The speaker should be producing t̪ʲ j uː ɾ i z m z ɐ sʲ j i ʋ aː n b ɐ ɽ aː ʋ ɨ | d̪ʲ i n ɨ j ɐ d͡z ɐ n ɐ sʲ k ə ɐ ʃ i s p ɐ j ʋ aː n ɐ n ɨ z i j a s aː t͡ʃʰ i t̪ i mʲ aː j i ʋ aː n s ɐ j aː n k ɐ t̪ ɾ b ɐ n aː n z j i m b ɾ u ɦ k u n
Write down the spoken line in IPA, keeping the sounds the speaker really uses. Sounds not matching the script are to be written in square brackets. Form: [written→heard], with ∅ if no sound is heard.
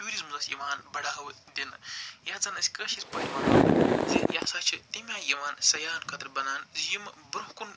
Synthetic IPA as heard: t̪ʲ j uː ɾ i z m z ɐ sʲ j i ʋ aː n b ɐ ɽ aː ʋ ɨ | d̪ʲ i n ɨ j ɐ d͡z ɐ n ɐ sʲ k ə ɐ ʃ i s p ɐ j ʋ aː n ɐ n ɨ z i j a s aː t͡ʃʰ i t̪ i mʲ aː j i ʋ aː n s ɐ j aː n k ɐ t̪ ɾ b ɐ n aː n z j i m b ɾ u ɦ k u n